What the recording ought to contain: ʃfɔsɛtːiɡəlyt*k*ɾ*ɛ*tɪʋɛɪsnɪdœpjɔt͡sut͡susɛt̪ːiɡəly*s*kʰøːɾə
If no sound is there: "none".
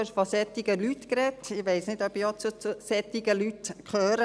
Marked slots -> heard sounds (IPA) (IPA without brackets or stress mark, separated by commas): k, ɛ, t